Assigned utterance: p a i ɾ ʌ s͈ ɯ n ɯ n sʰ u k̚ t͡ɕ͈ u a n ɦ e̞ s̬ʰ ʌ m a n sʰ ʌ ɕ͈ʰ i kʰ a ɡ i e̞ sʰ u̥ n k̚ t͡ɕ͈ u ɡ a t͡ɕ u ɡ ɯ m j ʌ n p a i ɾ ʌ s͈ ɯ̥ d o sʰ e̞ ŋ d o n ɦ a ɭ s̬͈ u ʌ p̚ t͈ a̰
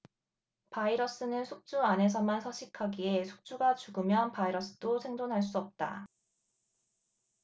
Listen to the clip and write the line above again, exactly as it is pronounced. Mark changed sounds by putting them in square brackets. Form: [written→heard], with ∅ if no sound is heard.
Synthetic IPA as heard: p a i ɾ ʌ s͈ ɯ n ɯ n sʰ u k̚ t͡ɕ͈ u a n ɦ e̞ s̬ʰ ʌ m a n sʰ ʌ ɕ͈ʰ i kʰ a ɡ i e̞ sʰ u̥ [n→∅] k̚ t͡ɕ͈ u ɡ a t͡ɕ u ɡ ɯ m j ʌ n p a i ɾ ʌ s͈ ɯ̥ d o sʰ e̞ ŋ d o n ɦ a ɭ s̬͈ u ʌ p̚ t͈ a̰

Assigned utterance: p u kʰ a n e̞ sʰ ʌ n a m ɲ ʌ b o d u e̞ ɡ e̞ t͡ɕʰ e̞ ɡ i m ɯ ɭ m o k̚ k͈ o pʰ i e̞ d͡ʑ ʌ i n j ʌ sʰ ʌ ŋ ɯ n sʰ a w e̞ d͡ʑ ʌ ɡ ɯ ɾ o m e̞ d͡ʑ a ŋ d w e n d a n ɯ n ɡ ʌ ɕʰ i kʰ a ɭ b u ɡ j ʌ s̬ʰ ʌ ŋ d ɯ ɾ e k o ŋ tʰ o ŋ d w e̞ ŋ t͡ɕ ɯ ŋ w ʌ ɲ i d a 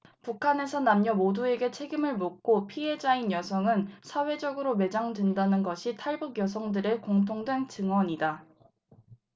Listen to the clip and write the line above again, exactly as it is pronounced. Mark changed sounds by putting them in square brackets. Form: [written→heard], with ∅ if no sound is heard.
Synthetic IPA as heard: p u kʰ a n e̞ sʰ ʌ n a m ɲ ʌ [b→m] o d u e̞ ɡ e̞ t͡ɕʰ e̞ ɡ i m ɯ ɭ m o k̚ k͈ o pʰ i e̞ d͡ʑ [ʌ→a] i n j ʌ sʰ ʌ ŋ ɯ n sʰ a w e̞ d͡ʑ ʌ ɡ ɯ ɾ o m e̞ d͡ʑ a ŋ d w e n d a n ɯ n ɡ ʌ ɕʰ i [kʰ→tʰ] a ɭ b u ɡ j ʌ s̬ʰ ʌ ŋ d ɯ ɾ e k o ŋ tʰ o ŋ d w e̞ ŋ t͡ɕ ɯ ŋ w ʌ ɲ i d a

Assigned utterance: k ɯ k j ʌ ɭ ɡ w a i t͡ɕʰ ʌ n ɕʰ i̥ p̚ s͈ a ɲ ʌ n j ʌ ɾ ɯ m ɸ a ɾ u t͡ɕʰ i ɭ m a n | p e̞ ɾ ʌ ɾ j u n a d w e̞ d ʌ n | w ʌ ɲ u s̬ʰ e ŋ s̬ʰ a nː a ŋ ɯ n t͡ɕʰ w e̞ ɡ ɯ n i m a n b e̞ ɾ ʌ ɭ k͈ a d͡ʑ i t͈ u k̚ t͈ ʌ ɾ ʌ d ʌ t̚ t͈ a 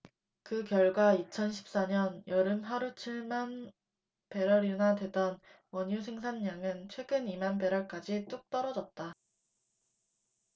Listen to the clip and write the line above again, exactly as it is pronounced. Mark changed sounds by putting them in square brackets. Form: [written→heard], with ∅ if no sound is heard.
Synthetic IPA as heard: k ɯ k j ʌ ɭ ɡ w a i t͡ɕʰ ʌ n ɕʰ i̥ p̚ s͈ a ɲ ʌ n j ʌ ɾ ɯ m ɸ a ɾ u t͡ɕʰ i ɭ m a n | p e̞ ɾ ʌ ɾ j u n a d w e̞ d ʌ n | w ʌ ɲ u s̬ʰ e ŋ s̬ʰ a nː a ŋ ɯ n t͡ɕʰ w e̞ ɡ ɯ n i m a n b e̞ ɾ ʌ ɭ k͈ a d͡ʑ i t͈ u k̚ t͈ ʌ ɾ ʌ [d→d͡ʑ] ʌ t̚ t͈ a

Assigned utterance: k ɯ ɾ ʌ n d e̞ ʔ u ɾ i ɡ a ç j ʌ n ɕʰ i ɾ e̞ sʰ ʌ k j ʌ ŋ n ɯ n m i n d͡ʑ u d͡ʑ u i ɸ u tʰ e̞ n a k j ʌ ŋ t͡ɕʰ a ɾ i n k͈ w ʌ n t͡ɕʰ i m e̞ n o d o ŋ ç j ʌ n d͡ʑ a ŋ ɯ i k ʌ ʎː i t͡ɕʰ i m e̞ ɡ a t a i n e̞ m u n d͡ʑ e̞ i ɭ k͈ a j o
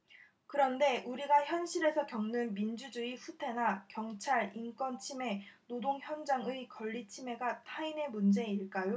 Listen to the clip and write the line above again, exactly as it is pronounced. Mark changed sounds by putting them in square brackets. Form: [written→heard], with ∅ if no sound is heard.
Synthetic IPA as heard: k ɯ ɾ ʌ n d e̞ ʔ u ɾ i ɡ a ç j ʌ n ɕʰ i ɾ e̞ sʰ ʌ k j ʌ ŋ n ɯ n m i n d͡ʑ u d͡ʑ u i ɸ u tʰ e̞ n a k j ʌ ŋ t͡ɕʰ a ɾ i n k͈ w ʌ n t͡ɕʰ i m e̞ n o d o ŋ ç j ʌ n d͡ʑ a ŋ ɯ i k ʌ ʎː i t͡ɕʰ i m e̞ ɡ a [t→tʰ] a i n e̞ m u n d͡ʑ e̞ i ɭ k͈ a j o

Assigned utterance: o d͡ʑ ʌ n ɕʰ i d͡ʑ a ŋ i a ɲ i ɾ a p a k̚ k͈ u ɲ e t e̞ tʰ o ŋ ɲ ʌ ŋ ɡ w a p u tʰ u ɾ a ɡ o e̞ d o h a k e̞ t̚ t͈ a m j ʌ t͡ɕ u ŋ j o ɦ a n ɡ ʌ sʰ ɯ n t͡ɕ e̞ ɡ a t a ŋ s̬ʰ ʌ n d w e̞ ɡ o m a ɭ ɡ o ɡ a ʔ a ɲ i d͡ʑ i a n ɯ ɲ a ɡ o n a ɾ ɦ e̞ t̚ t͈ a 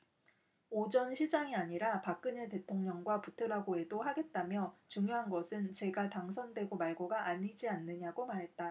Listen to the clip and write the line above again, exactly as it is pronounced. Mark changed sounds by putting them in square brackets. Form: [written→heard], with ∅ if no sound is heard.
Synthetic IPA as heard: o d͡ʑ ʌ n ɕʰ i d͡ʑ a ŋ i a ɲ i ɾ a p a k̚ k͈ [u→ɯ] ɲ e t e̞ tʰ o ŋ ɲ ʌ ŋ ɡ w a p u tʰ [u→ɯ] ɾ a ɡ o e̞ d o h a [k→ɡ] e̞ t̚ t͈ a m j ʌ t͡ɕ u ŋ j o ɦ a n ɡ ʌ sʰ ɯ n t͡ɕ e̞ ɡ a t a ŋ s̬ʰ ʌ n d w e̞ ɡ o m a ɭ ɡ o ɡ a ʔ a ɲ i d͡ʑ i a [n→nː] ɯ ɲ a ɡ o [n→m] a ɾ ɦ e̞ t̚ t͈ a

